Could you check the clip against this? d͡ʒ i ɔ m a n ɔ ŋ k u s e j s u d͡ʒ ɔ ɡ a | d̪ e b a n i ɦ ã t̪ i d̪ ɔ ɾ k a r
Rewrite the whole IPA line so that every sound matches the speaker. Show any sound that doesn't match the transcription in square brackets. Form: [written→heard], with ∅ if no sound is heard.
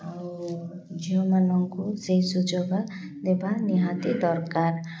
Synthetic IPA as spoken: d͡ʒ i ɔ m a n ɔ ŋ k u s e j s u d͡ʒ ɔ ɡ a | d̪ e b a n i ɦ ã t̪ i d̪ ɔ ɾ k a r

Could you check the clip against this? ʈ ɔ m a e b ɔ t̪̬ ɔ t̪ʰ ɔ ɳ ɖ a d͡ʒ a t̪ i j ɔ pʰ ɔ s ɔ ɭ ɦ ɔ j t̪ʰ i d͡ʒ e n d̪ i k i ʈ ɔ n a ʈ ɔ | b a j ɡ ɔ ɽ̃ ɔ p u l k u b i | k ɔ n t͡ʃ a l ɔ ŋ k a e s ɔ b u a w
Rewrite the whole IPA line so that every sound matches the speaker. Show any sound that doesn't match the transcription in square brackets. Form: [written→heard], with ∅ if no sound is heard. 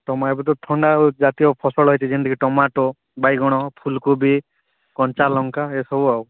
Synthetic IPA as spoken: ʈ ɔ m a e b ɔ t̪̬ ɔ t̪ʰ ɔ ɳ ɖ a d͡ʒ a t̪ i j ɔ pʰ ɔ s ɔ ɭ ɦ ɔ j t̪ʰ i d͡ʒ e n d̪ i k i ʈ ɔ [n→m] a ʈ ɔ | b a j ɡ ɔ ɽ̃ ɔ [p→pʰ] u l k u b i | k ɔ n t͡ʃ a l ɔ ŋ k a e s ɔ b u a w

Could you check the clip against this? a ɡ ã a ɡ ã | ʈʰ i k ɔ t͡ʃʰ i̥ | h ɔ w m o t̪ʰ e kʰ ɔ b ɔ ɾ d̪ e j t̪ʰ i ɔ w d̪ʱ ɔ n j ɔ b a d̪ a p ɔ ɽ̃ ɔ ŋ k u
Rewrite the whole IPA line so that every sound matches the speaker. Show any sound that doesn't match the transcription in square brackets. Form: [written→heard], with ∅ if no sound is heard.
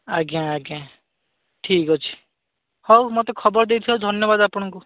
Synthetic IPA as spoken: a ɡ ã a ɡ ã | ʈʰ i k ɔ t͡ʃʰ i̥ | h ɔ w m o [t̪ʰ→t̪] e kʰ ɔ b ɔ ɾ d̪ e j t̪ʰ i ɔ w d̪ʱ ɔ n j ɔ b a d̪ a p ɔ ɽ̃ ɔ ŋ k u

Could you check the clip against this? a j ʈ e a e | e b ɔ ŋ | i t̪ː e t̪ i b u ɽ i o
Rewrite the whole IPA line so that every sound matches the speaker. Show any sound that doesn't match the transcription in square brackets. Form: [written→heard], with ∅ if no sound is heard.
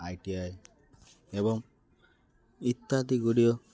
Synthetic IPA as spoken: a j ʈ [e→i] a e | e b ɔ ŋ | i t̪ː [e→a] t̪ i [b→ɡ] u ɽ i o

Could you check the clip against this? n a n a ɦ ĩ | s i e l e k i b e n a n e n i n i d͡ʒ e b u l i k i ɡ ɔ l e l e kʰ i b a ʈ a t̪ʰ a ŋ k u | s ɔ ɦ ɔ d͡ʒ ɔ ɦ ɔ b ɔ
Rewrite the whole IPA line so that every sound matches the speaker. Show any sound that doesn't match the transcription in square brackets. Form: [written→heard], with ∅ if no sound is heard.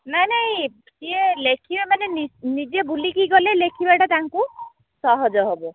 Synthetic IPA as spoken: n a n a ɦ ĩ | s i e l e [k→kʰ] i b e [n→m] a n e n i n i d͡ʒ e b u l i k i ɡ ɔ l e l e kʰ i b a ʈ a [t̪ʰ→t̪] a ŋ k u | s ɔ ɦ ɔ d͡ʒ ɔ ɦ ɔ b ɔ

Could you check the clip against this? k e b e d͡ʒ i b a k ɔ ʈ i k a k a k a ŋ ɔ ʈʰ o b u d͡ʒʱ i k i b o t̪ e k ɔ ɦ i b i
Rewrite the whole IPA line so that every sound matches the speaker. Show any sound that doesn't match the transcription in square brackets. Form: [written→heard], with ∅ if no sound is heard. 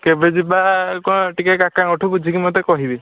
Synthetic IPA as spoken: k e b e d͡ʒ i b a k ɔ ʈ i k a k a k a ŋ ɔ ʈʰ [o→u] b u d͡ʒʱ i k i [b→m] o t̪ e k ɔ ɦ i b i

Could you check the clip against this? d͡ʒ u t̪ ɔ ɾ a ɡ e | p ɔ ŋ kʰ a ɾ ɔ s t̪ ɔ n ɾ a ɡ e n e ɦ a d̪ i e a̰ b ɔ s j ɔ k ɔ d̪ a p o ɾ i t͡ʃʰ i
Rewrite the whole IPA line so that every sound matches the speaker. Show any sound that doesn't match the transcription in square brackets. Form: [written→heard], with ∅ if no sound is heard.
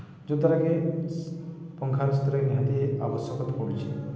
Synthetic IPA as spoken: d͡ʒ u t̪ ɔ ɾ a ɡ e | p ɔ ŋ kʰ a ɾ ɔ s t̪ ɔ [n→∅] ɾ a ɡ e n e ɦ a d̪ i e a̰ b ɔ s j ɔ k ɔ [d̪→t̪] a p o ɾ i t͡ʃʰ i

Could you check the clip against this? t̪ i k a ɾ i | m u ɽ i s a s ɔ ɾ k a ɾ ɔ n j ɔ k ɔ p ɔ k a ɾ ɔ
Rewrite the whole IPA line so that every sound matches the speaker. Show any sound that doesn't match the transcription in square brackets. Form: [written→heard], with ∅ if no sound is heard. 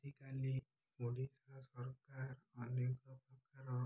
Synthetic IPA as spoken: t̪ i k a [ɾ→l] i | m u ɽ i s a s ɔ ɾ k a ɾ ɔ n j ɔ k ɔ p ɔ k a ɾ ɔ

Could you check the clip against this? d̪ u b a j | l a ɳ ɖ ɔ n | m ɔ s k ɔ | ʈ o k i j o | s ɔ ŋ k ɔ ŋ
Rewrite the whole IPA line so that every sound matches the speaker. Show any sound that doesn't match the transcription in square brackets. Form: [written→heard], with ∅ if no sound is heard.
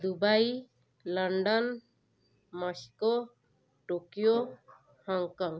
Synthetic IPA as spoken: d̪ u b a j | l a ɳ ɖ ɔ n | m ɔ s k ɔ | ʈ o k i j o | [s→h] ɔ ŋ k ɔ ŋ

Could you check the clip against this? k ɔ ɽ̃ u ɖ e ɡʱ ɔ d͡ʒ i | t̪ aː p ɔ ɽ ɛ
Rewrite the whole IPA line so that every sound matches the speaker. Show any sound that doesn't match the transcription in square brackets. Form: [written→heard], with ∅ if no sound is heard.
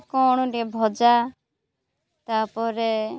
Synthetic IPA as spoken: k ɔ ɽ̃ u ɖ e [ɡʱ→bʱ] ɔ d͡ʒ [i→a] | t̪ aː p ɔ [ɽ→ɾ] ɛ

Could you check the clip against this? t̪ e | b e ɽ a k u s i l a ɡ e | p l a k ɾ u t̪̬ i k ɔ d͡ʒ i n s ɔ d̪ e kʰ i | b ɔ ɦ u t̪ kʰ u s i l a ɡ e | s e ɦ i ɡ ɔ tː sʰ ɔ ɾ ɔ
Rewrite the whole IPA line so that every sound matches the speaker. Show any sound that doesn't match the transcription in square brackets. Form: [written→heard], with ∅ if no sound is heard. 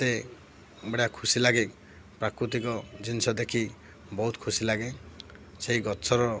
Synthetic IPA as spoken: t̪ e | b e ɽ a [k→kʰ] u s i l a ɡ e | p [l→ɾ] a k ɾ u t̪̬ i k ɔ d͡ʒ i n s ɔ d̪ e kʰ i | b ɔ ɦ u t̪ kʰ u s i l a ɡ e | s e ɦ i ɡ ɔ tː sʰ ɔ ɾ ɔ

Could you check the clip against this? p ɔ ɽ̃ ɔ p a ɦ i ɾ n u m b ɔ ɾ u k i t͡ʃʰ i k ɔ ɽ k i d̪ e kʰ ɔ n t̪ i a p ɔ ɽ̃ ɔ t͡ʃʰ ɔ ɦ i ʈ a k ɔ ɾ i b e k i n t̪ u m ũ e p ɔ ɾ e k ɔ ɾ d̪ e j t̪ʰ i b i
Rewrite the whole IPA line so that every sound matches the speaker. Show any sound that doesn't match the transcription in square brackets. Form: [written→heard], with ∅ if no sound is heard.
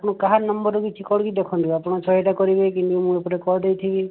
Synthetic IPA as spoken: p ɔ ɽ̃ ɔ [p→k] a ɦ [i→a] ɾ n [u→ɔ] m b ɔ ɾ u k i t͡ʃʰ i k ɔ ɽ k i d̪ e kʰ ɔ n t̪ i a p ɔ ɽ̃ ɔ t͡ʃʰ ɔ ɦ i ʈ a k ɔ ɾ i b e k i n t̪ u m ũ e p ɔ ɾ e k ɔ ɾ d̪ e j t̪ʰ i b i

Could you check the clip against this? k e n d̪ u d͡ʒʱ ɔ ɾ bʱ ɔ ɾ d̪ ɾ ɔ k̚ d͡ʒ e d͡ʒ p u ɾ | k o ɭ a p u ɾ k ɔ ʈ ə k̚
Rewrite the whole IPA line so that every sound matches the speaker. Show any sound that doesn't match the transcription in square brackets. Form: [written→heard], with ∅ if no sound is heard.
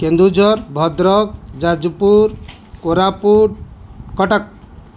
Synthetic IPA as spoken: k e n d̪ u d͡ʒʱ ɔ ɾ bʱ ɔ [ɾ→∅] d̪ ɾ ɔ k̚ d͡ʒ [e→a] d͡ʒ p u ɾ | k o [ɭ→ɾ] a p u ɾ k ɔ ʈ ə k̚

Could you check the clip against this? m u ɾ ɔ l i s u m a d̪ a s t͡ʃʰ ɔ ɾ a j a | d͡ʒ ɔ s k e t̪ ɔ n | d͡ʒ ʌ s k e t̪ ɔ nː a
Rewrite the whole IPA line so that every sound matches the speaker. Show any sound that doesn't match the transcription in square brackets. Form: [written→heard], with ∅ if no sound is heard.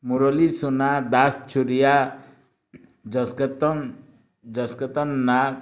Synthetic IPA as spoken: m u ɾ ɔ l i s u [m→n] a d̪ a s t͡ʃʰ [ɔ→u] ɾ [a→i] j a | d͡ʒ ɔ s k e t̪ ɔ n | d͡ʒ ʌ s k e t̪ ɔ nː a

